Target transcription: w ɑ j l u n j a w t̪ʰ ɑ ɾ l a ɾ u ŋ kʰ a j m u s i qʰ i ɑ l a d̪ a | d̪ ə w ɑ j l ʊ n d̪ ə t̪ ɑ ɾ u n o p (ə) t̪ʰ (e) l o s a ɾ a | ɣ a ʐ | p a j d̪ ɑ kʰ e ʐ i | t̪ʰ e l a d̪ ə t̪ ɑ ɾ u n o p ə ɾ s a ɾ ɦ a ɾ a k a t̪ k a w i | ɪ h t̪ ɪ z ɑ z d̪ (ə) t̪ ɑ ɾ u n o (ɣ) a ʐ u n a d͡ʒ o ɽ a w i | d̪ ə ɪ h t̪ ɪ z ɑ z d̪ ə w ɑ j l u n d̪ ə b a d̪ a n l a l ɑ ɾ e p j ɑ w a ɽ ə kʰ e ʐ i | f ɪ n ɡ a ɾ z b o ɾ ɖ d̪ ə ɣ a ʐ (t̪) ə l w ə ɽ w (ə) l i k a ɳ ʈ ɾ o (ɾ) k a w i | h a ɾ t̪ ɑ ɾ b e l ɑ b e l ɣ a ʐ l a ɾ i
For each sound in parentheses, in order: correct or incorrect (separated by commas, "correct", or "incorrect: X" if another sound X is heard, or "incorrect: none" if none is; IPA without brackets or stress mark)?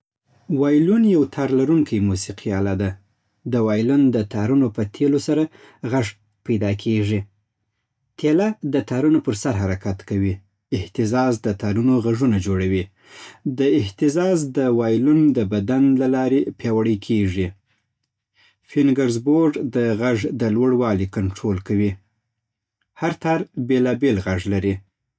correct, correct, correct, correct, incorrect: d̪, incorrect: ɑ, incorrect: l